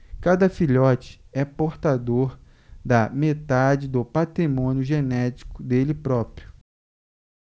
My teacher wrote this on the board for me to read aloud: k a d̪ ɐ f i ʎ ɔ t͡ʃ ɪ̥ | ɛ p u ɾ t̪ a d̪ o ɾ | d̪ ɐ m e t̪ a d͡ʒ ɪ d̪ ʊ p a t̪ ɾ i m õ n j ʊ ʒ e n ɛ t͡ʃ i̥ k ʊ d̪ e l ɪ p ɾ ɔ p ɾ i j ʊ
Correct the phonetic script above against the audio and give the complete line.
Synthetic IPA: k a d̪ ɐ f i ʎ ɔ t͡ʃ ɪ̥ | ɛ p o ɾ t̪ a d̪ o ɾ | d̪ ɐ m e t̪ a d͡ʒ ɪ d̪ ʊ p a t̪ ɾ i m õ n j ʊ ʒ e n ɛ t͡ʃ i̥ k ʊ d̪ e l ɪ p ɾ ɔ p ɾ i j ʊ